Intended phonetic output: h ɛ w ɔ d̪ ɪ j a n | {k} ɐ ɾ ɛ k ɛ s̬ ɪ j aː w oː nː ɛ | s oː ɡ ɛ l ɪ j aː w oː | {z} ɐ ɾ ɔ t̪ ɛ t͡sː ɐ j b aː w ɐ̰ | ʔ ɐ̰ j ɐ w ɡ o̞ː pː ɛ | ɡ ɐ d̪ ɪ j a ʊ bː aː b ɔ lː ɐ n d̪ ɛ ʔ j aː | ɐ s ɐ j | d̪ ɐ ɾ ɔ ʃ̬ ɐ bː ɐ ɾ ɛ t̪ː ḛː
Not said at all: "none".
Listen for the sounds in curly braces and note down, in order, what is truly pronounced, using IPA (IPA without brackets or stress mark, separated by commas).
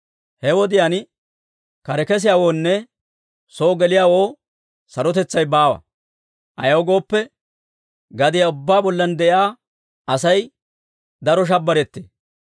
k, s